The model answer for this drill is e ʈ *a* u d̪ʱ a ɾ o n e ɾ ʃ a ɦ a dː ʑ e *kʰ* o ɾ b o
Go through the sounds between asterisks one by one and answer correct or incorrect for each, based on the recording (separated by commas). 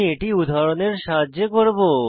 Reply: incorrect, incorrect